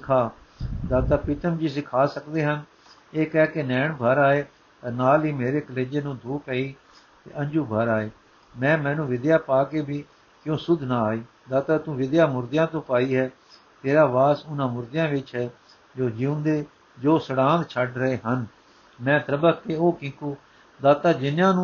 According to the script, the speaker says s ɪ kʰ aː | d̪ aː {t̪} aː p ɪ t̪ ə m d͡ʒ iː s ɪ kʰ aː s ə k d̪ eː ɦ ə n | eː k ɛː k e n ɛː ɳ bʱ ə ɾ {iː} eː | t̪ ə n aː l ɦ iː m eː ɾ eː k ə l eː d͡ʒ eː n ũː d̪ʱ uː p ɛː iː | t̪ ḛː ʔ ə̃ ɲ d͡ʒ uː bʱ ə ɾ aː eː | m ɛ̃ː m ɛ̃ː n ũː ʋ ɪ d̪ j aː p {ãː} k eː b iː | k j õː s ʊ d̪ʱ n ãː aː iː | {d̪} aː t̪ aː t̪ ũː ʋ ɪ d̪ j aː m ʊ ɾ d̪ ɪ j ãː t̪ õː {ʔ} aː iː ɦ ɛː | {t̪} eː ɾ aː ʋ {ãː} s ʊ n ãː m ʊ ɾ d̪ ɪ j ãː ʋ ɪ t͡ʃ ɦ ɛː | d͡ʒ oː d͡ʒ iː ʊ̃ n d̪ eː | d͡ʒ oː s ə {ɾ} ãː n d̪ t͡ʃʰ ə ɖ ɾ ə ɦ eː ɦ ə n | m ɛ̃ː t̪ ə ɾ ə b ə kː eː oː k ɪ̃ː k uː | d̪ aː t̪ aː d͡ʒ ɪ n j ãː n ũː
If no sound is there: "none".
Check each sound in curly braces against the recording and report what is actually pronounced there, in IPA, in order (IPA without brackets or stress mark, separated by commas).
t̪, aː, aː, d̪, p, t̪, aː, ɽ